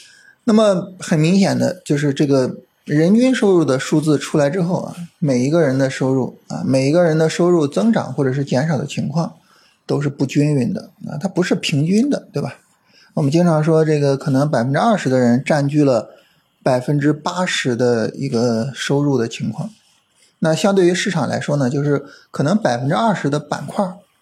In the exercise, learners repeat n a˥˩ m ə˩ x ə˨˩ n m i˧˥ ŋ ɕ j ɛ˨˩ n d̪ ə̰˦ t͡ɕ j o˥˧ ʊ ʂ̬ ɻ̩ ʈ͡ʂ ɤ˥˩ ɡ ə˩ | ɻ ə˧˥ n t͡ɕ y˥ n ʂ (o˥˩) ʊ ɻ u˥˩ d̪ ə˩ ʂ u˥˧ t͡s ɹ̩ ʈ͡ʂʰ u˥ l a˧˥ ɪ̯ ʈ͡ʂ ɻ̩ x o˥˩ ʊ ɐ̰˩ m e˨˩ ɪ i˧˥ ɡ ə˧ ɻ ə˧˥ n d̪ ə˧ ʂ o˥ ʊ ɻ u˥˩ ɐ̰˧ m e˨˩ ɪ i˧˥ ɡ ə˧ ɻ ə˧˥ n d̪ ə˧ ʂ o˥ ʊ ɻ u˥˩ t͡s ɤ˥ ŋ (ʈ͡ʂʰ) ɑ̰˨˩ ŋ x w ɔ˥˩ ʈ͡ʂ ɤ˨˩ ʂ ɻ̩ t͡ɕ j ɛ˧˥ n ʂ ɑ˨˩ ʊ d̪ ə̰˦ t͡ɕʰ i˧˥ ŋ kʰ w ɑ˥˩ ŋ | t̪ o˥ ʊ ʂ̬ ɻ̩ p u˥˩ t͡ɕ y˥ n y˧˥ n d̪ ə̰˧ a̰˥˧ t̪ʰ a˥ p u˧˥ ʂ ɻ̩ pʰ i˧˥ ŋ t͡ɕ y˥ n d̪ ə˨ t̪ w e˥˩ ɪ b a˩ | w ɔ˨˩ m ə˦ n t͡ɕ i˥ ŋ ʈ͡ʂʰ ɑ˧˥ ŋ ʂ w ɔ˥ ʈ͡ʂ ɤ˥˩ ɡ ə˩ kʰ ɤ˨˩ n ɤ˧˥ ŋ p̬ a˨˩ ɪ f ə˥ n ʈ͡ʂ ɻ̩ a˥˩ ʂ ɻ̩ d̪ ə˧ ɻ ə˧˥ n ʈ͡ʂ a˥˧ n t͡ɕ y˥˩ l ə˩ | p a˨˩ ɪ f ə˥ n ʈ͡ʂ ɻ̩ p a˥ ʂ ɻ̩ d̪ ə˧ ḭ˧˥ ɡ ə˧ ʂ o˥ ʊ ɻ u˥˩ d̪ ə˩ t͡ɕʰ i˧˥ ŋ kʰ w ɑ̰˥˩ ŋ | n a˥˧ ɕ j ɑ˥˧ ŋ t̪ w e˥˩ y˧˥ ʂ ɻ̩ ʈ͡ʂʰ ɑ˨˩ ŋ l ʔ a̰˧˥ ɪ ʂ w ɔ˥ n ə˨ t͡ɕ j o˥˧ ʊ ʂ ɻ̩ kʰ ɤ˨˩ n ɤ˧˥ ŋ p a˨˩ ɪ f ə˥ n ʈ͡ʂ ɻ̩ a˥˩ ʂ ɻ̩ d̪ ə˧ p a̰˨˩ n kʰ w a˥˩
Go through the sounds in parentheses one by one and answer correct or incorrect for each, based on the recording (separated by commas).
incorrect, incorrect